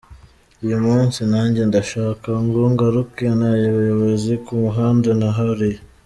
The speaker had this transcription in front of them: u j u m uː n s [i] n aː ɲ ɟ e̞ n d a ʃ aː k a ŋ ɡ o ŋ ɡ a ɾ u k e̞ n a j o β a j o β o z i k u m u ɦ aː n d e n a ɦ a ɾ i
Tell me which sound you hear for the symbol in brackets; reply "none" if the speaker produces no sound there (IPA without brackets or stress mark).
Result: i